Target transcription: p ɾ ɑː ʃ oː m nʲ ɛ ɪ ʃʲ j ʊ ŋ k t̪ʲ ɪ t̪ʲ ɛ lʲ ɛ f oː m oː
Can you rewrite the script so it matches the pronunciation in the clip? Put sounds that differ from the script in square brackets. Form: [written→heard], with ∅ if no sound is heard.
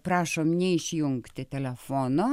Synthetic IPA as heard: p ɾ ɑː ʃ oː m nʲ ɛ ɪ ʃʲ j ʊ ŋ k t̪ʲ ɪ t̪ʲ ɛ lʲ ɛ f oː [m→n] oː